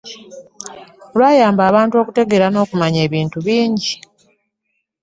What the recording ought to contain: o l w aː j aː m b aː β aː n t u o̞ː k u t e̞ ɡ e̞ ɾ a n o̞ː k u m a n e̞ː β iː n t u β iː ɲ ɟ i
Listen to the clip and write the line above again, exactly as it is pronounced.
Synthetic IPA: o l w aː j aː m b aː β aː n t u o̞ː k u t e̞ ɡ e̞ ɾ a n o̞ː k u m a ɲ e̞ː β iː n t u β iː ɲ ɟ i